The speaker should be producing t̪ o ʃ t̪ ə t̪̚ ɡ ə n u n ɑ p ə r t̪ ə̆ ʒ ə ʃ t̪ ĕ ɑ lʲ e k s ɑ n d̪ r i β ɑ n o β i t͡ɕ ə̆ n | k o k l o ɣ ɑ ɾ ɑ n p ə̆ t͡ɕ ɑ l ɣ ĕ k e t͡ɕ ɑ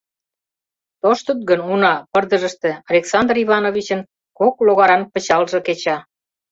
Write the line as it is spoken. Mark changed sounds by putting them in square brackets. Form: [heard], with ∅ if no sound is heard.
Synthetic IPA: t̪ o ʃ t̪ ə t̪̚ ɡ ə n u n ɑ p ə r [d̪] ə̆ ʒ ə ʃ t̪ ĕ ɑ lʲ e k s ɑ n d̪ r i β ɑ n o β i t͡ɕ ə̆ n | k o k l o ɣ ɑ ɾ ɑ n p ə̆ t͡ɕ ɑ l [ʒ] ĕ k e t͡ɕ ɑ